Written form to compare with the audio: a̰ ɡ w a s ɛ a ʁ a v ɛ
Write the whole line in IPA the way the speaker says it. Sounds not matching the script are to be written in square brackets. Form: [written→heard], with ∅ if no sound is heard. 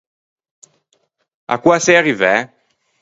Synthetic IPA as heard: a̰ [ɡ→k] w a s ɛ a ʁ [a→i] v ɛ